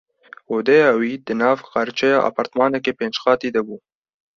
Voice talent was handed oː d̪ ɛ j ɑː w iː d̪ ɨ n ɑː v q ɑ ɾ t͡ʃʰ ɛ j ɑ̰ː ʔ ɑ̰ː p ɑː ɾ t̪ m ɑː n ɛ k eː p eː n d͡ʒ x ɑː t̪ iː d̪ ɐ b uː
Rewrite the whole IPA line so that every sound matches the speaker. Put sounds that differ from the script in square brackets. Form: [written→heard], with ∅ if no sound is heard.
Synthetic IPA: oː d̪ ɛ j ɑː w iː d̪ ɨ n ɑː v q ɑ ɾ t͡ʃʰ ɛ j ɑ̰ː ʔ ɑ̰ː p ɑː ɾ t̪ m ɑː n ɛ k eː p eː n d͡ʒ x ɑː t̪ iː d̪ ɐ b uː